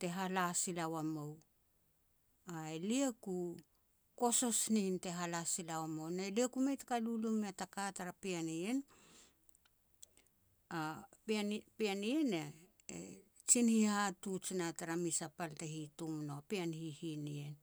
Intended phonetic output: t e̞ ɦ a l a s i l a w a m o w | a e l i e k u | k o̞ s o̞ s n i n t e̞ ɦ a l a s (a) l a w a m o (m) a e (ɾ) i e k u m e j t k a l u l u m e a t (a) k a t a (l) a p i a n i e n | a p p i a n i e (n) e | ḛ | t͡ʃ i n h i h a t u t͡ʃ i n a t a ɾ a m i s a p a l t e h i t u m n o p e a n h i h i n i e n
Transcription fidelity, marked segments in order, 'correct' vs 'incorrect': incorrect, incorrect, incorrect, correct, incorrect, correct

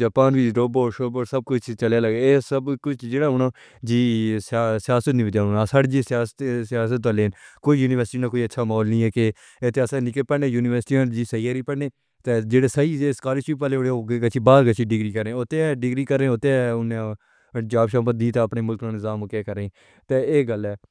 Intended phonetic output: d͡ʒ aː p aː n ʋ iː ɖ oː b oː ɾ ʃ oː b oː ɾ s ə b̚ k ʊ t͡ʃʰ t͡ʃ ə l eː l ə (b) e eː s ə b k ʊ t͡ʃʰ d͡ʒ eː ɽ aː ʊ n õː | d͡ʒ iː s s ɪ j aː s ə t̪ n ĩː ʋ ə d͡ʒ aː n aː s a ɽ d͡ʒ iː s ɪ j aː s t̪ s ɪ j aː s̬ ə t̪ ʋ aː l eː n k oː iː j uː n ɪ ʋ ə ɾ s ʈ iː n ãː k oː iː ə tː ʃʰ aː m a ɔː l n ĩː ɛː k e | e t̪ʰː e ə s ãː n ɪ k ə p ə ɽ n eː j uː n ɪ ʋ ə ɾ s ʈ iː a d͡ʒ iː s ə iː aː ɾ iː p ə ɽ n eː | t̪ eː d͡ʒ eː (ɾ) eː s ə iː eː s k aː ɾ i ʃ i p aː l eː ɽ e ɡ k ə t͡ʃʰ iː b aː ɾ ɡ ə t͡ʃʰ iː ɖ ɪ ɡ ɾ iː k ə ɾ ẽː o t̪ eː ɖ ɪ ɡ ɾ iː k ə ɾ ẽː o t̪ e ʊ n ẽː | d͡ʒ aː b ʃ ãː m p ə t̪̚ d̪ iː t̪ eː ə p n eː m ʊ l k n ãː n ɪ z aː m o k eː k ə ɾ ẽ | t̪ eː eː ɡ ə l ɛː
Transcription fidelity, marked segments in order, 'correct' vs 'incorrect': incorrect, incorrect

